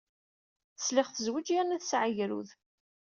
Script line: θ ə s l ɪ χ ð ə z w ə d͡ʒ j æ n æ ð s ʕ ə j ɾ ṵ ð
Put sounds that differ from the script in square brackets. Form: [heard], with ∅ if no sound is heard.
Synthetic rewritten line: θ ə s l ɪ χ [θ] ə z w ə d͡ʒ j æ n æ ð s ʕ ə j ɾ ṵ ð